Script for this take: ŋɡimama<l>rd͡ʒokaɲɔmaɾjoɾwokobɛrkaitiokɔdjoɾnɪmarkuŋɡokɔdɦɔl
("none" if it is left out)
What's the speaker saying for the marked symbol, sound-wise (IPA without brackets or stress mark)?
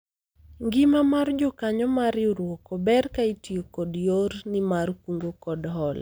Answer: none